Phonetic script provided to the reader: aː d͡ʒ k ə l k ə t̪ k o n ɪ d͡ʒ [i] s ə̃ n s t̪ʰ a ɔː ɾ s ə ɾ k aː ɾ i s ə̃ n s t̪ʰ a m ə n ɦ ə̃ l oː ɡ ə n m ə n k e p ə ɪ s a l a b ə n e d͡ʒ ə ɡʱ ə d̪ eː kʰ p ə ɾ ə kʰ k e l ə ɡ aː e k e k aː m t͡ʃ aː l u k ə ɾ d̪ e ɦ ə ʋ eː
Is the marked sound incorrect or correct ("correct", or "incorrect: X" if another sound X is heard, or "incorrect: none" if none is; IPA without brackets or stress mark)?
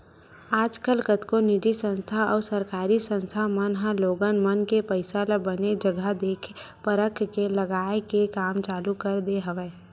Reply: correct